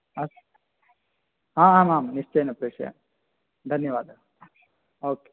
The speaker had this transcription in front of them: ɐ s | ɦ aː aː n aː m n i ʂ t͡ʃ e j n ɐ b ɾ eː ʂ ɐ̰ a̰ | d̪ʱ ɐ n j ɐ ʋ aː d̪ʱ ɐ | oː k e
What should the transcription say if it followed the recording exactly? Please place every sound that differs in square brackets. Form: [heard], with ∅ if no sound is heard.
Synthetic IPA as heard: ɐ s | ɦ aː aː [m] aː m n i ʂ t͡ʃ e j n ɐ [p] ɾ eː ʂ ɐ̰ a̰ | d̪ʱ ɐ n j ɐ ʋ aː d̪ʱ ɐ | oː k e